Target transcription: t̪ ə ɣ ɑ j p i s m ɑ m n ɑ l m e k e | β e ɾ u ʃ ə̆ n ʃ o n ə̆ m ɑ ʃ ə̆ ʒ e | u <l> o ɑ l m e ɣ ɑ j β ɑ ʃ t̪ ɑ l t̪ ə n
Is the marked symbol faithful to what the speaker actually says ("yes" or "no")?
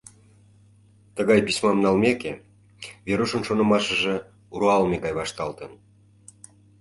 no